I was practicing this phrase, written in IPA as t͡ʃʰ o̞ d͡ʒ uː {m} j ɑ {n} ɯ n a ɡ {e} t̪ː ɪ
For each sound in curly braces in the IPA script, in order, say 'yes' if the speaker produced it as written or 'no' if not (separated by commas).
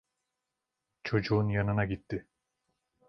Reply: no, yes, no